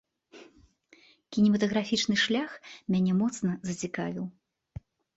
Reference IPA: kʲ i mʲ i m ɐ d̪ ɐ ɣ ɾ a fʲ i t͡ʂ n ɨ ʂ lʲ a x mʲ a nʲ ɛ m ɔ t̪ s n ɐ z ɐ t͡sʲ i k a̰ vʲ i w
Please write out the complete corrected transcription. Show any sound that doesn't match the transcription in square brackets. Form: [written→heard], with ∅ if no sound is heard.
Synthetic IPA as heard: kʲ i [mʲ→nʲ] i m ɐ [d̪→t̪] ɐ ɣ ɾ a fʲ i t͡ʂ n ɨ ʂ lʲ a x mʲ a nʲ ɛ m ɔ t̪ s n ɐ z ɐ t͡sʲ i k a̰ vʲ i w